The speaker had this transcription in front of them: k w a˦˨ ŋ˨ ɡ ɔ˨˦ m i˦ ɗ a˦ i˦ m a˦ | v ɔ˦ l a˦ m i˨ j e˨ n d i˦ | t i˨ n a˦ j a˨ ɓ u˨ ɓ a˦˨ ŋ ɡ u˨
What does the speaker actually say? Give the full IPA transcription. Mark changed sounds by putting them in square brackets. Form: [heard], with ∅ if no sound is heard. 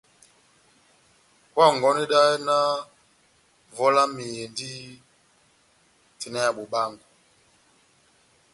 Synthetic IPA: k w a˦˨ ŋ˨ ɡ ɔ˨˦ [n] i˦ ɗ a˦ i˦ [n] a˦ | v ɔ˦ l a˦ m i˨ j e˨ n d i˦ | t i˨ n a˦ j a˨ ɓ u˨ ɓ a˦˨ ŋ ɡ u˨